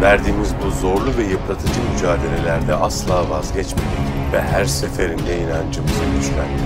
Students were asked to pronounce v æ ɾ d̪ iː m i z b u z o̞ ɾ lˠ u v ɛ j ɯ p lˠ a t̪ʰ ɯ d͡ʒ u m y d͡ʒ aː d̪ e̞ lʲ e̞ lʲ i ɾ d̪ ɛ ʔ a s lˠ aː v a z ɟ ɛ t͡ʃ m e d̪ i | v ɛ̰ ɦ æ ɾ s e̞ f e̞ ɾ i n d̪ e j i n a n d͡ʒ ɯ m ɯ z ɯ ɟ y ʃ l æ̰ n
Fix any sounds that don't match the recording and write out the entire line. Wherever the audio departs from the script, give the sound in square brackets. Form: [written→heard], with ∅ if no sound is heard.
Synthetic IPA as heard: v æ ɾ d̪ iː m i z b u z o̞ ɾ lˠ u v ɛ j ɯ p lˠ a t̪ʰ ɯ d͡ʒ [u→ɯ] m y d͡ʒ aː d̪ e̞ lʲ e̞ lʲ [i→æ] ɾ d̪ ɛ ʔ a s lˠ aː v a z ɟ ɛ t͡ʃ m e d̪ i | v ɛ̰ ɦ æ ɾ s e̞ f e̞ ɾ i n d̪ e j i n a n d͡ʒ ɯ m ɯ z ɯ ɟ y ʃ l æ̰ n